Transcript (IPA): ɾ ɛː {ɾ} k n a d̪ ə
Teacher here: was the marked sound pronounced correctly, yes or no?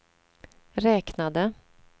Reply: no